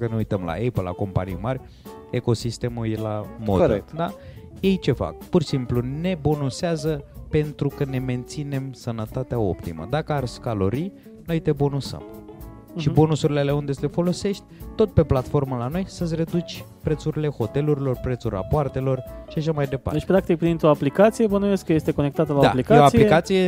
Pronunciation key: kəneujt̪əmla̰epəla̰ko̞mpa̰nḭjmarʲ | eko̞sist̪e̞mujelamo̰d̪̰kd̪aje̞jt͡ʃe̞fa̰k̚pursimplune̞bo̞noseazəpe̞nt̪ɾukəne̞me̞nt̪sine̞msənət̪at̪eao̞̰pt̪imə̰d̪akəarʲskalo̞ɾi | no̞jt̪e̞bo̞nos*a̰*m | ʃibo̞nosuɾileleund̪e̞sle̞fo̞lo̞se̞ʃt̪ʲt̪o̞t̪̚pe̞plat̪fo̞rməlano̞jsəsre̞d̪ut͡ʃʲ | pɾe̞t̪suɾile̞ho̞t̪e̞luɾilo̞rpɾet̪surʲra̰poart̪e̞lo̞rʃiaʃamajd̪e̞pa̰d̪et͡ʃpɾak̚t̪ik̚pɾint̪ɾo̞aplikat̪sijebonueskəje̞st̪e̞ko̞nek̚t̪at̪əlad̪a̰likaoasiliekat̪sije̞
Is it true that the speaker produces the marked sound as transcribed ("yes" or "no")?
no